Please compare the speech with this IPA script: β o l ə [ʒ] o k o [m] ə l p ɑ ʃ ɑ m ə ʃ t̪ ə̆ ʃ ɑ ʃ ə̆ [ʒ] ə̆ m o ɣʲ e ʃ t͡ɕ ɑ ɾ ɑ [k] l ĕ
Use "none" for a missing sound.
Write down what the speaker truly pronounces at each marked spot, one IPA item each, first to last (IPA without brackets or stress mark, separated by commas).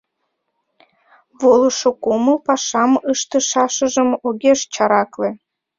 ʃ, m, ʒ, k